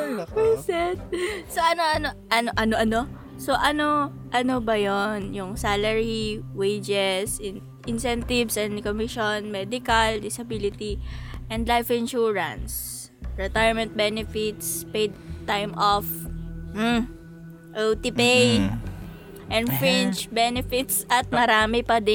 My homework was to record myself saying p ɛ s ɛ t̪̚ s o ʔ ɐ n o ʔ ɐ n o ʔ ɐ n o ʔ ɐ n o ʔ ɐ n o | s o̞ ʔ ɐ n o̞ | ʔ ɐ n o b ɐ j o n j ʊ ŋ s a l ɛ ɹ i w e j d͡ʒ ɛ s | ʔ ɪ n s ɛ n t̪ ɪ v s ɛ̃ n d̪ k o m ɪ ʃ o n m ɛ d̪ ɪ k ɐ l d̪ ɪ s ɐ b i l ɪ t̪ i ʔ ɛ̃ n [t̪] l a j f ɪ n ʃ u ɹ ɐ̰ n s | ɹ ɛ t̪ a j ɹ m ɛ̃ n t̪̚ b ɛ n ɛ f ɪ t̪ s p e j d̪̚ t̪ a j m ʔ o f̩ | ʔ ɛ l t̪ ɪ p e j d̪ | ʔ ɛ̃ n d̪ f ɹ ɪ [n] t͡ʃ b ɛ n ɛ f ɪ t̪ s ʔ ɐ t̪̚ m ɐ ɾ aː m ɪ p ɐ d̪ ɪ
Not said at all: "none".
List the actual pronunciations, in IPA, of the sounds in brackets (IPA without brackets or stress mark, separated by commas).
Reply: d̪, n